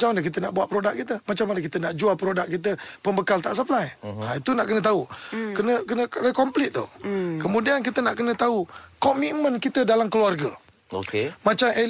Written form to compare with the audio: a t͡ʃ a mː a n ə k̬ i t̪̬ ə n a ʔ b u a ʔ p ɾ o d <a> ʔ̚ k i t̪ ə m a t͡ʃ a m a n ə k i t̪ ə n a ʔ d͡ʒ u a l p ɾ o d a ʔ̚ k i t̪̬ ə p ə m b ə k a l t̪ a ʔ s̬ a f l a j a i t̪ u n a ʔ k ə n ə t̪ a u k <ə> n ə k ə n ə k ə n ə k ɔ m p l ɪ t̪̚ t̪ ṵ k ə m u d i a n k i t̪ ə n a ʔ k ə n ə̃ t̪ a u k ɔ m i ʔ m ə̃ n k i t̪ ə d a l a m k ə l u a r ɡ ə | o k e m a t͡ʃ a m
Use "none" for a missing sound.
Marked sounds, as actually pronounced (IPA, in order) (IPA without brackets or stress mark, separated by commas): a, ə